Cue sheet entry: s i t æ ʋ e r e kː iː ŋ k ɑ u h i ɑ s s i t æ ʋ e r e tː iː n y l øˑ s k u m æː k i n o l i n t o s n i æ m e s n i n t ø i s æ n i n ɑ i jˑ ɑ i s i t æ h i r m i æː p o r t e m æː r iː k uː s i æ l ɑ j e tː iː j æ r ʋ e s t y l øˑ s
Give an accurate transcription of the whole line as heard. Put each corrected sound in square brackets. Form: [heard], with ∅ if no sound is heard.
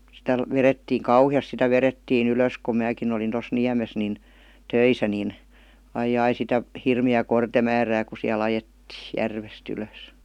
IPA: s i t æ ʋ e r e [tː] iː ŋ k ɑ u h i ɑ s s i t æ ʋ e r e tː iː n y l øˑ s k u m æː k i n o l i n t o s n i æ m e s n i n t ø i s æ n i n ɑ i jˑ ɑ i s i t æ h i r m i æː [k] o r t e m æː r [æː] k [u] s i æ l ɑ j e tː iː j æ r ʋ e s t y l øˑ s